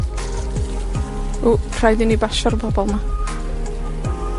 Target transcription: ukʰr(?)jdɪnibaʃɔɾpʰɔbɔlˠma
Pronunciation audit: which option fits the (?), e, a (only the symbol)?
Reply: a